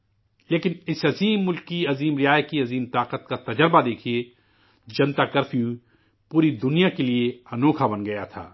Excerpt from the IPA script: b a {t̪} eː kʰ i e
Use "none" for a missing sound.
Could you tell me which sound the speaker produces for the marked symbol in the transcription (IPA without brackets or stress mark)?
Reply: d̪